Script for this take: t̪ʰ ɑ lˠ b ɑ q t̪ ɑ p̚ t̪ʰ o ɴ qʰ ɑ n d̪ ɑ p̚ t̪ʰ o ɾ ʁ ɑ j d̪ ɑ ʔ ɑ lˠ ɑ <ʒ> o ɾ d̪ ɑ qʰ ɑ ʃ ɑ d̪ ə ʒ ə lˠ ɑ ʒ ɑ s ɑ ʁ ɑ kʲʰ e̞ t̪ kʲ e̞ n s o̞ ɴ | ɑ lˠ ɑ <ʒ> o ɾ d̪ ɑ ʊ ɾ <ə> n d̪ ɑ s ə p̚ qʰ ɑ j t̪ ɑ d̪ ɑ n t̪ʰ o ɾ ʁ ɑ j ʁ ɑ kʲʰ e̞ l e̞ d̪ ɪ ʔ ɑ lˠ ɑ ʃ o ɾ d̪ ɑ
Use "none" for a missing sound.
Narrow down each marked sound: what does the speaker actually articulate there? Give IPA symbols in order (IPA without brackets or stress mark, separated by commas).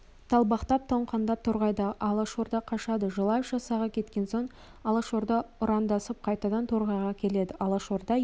ʃ, ʃ, ɑ